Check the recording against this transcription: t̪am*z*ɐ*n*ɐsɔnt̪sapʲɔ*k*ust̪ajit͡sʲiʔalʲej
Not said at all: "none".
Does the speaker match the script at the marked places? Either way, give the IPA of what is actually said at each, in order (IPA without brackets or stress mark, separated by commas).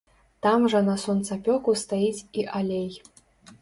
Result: ʐ, n, k